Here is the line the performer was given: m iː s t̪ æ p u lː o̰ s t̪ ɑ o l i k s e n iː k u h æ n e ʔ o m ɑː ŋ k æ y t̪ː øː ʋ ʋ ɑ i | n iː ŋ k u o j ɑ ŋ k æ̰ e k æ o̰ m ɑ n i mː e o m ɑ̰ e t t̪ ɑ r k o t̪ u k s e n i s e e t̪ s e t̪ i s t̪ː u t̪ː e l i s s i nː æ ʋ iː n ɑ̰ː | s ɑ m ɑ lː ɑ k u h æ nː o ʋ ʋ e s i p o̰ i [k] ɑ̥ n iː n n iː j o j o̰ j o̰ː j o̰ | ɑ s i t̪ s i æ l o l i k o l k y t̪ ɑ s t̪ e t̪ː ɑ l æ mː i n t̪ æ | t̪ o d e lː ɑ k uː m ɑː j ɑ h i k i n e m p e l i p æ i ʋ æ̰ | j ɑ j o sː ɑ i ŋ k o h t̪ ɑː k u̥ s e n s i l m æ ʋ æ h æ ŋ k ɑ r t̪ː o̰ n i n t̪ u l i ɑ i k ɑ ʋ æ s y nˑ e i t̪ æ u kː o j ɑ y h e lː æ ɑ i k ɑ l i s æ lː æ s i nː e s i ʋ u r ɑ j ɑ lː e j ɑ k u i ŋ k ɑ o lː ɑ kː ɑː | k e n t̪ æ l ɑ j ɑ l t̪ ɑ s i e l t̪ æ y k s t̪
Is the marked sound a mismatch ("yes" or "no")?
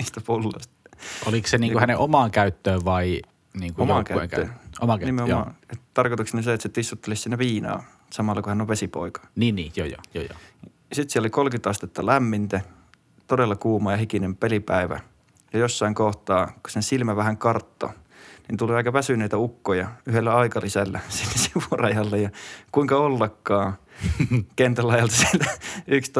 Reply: no